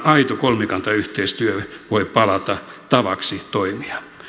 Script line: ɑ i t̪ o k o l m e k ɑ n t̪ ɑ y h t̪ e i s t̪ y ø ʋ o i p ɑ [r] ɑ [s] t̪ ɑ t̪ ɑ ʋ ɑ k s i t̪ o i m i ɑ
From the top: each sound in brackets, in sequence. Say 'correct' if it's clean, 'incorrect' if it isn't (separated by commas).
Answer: incorrect, incorrect